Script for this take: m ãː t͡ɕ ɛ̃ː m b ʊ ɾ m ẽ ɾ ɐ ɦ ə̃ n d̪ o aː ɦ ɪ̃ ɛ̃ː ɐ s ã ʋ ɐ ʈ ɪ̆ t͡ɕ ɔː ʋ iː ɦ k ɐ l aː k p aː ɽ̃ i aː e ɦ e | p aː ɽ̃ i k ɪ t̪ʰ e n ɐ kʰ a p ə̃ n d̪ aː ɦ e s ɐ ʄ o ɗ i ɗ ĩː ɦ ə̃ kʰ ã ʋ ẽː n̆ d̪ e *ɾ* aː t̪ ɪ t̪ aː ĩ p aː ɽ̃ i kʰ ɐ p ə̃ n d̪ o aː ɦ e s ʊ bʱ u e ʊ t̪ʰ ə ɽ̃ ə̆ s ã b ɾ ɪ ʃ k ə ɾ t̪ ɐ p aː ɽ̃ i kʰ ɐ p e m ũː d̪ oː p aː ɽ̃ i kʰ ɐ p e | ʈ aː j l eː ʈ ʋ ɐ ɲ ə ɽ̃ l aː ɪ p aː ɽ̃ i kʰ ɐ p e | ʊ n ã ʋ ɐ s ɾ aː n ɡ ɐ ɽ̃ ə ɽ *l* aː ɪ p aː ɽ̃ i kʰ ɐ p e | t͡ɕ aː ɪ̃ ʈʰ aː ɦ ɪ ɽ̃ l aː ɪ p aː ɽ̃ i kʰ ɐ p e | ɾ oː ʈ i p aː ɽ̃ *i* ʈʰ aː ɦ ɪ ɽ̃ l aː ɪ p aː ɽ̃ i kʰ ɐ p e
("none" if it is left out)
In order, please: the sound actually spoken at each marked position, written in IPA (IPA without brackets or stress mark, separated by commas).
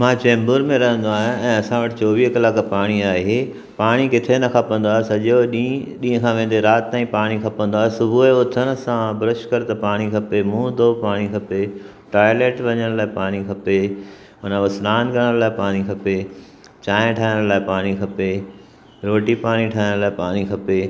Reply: ɾ, l, i